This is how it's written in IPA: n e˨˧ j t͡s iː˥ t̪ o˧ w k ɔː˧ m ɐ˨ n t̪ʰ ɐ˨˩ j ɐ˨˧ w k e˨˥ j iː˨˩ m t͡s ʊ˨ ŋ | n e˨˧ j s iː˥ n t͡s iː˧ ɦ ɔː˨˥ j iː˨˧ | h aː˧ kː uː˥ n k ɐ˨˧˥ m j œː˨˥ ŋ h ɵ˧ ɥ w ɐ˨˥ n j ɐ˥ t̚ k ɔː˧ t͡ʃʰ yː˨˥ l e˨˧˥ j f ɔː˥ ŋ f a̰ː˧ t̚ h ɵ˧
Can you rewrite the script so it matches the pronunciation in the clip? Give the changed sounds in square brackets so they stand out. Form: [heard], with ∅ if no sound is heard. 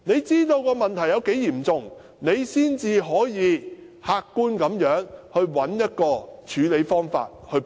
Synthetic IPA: n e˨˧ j t͡s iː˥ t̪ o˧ w k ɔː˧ m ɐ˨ n t̪ʰ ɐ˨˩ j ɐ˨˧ w k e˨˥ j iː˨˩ m t͡s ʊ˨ ŋ | n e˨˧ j s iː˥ n t͡s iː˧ ɦ ɔː˨˥ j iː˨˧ | h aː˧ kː uː˥ n k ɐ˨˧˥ m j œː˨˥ ŋ h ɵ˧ ɥ w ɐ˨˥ n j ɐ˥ t̚ k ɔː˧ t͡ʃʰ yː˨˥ l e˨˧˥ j f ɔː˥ ŋ f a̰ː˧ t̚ h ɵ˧